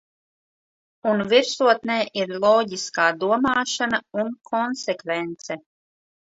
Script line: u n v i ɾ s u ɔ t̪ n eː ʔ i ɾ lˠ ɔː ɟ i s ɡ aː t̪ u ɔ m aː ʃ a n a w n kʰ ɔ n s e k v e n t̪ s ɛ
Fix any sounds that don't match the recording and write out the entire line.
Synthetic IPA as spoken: u n v i ɾ s u ɔ t̪ n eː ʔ i ɾ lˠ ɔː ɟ i s k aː d̪ u ɔ m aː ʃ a n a u n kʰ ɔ n s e k v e n t̪ s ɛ

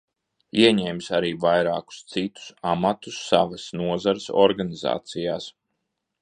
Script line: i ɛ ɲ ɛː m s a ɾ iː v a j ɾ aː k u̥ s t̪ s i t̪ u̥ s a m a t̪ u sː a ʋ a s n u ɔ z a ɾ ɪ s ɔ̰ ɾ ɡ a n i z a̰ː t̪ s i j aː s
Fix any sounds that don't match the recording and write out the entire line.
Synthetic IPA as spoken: i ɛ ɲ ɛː m s a ɾ iː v a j ɾ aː k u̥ s t̪ s i t̪ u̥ s a m a t̪ u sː a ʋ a s n u ɔ z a ɾ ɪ s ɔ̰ ɾ ɡ a n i z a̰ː t̪ s i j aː s

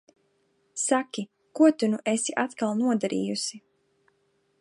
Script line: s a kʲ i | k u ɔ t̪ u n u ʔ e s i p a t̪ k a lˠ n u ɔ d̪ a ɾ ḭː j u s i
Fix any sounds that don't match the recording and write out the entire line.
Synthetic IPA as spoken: s a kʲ i | k u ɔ t̪ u n u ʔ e s i ʔ a t̪ k a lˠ n u ɔ d̪ a ɾ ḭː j u s i

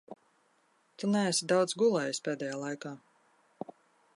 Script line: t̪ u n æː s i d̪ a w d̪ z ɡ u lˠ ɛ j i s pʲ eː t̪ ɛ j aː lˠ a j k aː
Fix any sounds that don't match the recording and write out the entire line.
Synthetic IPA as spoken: t̪ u n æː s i d̪ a w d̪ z ɡ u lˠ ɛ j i s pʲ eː d̪ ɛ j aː lˠ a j k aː

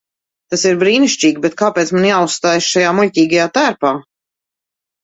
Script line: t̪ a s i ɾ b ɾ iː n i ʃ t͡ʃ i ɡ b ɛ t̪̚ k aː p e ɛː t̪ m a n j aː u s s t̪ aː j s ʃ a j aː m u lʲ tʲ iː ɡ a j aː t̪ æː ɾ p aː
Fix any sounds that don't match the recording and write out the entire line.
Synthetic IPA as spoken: t̪ a s i ɾ b ɾ iː n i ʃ t͡ʃ iː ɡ b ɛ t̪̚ k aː p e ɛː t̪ m a n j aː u s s t̪ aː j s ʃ a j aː m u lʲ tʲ iː ɡ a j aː t̪ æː ɾ p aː

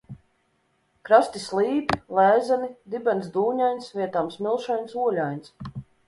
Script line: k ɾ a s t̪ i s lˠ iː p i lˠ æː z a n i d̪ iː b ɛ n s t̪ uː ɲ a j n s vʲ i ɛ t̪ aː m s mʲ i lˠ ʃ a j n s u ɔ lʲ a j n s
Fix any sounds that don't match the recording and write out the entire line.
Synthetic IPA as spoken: k ɾ a s t̪ i s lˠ iː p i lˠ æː z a n i d̪ i b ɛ n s d̪ uː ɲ a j n s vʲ i ɛ t̪ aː m s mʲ i lˠ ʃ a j n s u ɔ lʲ a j n s

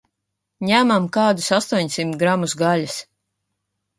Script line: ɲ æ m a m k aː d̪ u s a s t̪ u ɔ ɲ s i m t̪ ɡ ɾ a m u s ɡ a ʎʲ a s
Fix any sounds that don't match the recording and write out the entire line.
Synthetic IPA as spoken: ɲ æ m a m k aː d̪ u s a s t̪ u ɔ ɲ s i m t̪ ɡ ɾ a m u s ɡ a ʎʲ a s

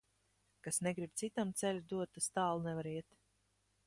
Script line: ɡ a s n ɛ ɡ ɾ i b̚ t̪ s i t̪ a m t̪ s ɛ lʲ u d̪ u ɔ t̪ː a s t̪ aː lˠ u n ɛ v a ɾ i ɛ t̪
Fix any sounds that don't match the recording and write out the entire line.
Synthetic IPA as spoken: k a s n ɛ ɡ ɾ i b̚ t̪ s i t̪ a m t̪ s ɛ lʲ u d̪ u ɔ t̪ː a s t̪ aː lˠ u n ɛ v a ɾ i ɛ t̪

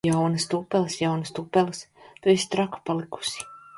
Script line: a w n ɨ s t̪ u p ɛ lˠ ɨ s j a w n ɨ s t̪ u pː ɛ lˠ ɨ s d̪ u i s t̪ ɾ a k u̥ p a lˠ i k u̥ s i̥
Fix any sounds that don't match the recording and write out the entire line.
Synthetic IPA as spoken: a w n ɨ s t̪ u p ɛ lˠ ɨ s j a w n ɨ s t̪ u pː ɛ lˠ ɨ s t̪ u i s t̪ ɾ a k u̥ p a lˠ i k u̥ s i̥

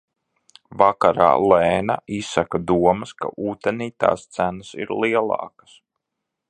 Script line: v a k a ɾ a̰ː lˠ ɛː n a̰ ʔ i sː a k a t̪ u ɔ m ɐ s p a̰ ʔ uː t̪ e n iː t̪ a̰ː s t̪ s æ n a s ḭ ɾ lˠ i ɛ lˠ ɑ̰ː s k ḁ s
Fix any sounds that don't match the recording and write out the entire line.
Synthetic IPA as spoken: v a k a ɾ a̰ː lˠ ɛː n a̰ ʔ i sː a k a d̪ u ɔ m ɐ s k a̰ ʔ uː t̪ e n iː t̪ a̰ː s t̪ s æ n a s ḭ ɾ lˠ i ɛ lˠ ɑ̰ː k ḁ s

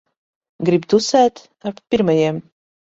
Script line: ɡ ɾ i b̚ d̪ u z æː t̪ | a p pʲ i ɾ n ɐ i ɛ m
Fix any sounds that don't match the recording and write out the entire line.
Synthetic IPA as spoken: ɡ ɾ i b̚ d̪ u s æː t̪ | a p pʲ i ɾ m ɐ j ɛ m

